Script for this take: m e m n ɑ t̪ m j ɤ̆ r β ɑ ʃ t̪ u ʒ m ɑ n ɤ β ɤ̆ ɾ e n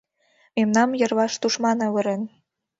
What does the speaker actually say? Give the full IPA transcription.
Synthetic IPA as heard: m e m n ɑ m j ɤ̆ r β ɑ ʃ t̪ u ʃ m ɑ n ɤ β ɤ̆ ɾ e n